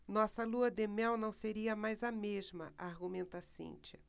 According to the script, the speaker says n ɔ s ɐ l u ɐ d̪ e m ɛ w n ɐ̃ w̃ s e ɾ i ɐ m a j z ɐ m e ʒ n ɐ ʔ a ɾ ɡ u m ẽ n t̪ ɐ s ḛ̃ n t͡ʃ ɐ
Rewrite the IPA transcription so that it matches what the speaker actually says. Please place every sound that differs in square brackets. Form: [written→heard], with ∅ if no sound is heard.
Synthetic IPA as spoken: n ɔ s ɐ l u ɐ d̪ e m ɛ w n ɐ̃ w̃ s e ɾ i ɐ m a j z ɐ m e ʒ [n→m] ɐ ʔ a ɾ ɡ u m ẽ n t̪ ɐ s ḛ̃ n t͡ʃ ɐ